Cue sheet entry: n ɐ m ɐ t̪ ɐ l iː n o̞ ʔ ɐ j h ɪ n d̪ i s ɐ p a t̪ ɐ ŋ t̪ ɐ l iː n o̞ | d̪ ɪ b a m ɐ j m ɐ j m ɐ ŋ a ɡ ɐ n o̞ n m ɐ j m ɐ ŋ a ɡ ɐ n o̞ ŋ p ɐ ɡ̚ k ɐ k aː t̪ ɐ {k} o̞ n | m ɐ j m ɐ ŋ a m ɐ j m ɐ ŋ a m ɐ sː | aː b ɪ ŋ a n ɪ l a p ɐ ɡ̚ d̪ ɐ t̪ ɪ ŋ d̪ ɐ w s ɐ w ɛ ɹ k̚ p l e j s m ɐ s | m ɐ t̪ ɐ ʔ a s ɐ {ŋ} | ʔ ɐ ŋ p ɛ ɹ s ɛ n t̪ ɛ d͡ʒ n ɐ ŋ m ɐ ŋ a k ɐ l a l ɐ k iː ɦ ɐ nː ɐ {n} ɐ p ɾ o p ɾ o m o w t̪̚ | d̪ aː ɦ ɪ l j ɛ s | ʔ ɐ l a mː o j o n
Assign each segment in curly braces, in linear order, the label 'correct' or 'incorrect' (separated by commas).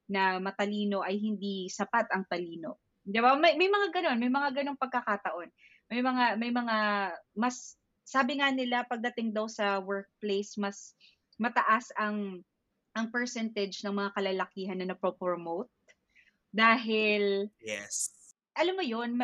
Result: incorrect, correct, correct